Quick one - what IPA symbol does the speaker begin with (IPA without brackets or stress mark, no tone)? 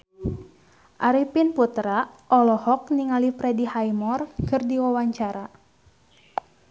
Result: ʔ